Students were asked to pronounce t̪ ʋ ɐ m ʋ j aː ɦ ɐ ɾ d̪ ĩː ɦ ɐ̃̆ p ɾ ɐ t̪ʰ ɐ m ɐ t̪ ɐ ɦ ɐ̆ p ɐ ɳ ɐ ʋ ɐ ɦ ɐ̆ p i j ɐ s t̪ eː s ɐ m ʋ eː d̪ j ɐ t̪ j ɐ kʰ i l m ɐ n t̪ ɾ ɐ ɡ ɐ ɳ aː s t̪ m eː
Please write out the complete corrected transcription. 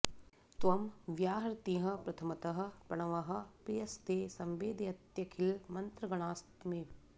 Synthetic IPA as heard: t̪ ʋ ɐ m ʋ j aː ɦ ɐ ɾ t̪ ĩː ɦ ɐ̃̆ p ɾ ɐ t̪ʰ ɐ m ɐ t̪ ɐ ɦ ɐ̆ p ɐ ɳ ɐ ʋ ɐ ɦ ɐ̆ p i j ɐ s t̪ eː s ɐ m ʋ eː d̪ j ɐ t̪ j ɐ kʰ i l m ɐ n t̪ ɾ ɐ ɡ ɐ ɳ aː s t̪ m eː